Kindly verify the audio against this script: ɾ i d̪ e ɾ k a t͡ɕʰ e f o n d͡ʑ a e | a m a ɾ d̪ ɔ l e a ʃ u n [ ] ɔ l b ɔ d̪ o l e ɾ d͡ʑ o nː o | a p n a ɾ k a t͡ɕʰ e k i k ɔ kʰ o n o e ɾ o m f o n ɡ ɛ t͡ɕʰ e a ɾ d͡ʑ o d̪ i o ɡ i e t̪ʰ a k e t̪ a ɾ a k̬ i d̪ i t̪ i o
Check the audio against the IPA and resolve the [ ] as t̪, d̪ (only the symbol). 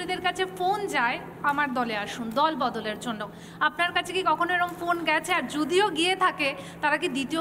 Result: d̪